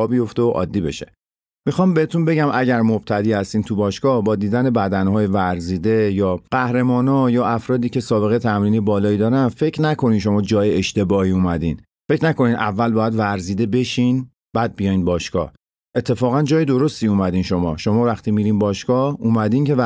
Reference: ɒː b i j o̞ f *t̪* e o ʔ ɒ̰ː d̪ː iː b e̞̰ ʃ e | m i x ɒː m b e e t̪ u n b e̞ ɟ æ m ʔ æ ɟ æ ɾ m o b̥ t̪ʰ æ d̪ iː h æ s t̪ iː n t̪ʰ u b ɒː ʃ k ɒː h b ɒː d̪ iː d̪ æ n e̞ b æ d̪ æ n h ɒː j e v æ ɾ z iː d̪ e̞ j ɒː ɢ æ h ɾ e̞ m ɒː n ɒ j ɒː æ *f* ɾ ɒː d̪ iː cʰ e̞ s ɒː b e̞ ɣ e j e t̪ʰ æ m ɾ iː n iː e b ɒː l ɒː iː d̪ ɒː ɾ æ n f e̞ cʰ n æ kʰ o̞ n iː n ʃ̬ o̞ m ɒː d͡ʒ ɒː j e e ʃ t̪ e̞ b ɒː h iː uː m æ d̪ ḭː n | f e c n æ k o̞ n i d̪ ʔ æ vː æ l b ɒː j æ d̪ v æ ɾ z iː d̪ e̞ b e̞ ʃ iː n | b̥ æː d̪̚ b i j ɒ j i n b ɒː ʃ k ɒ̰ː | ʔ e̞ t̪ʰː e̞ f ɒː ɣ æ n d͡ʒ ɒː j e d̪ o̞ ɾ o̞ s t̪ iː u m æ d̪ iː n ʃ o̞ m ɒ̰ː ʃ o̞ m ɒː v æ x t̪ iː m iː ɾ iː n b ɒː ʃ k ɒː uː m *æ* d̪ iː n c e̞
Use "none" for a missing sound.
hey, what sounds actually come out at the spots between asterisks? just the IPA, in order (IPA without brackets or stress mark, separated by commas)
t̪, f, æ